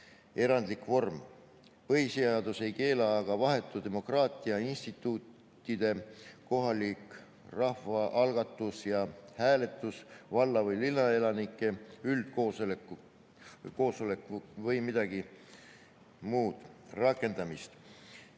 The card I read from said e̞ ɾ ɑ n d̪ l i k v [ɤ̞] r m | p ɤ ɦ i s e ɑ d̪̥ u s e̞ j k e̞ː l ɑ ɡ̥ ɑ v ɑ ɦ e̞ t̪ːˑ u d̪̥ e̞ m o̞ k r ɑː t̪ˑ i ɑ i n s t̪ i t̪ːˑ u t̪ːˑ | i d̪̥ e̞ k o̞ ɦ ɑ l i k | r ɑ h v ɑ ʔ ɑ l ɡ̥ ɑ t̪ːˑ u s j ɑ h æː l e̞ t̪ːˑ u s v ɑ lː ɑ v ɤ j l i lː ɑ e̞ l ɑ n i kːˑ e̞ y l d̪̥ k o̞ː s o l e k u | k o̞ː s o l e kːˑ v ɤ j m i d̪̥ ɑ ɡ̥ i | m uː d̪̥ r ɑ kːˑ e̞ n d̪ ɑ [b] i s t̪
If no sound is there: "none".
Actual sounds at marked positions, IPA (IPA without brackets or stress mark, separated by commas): o̞, m